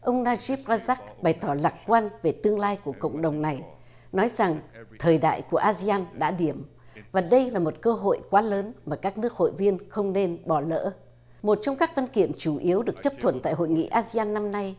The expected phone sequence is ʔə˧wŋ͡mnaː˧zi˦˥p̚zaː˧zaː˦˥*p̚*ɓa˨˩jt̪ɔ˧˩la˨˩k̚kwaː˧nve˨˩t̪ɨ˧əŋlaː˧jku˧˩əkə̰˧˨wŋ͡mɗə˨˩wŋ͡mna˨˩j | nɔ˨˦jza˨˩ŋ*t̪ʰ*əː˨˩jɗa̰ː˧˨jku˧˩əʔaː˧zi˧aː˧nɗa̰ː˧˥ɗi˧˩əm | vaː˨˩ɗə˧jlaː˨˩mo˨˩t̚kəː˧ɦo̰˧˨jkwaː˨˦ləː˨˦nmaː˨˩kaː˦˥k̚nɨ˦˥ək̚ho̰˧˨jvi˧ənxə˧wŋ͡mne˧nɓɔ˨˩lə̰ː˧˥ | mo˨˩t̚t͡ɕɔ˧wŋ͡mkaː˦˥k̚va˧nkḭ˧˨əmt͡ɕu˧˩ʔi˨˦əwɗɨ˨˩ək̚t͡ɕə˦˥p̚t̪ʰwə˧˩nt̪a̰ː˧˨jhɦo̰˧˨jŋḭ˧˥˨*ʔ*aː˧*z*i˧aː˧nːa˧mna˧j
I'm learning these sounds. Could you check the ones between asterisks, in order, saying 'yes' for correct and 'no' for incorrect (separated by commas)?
no, yes, yes, yes